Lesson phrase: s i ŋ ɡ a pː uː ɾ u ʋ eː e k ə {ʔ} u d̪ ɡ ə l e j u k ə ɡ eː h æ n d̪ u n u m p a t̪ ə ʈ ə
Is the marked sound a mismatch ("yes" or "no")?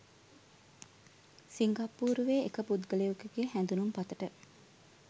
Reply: yes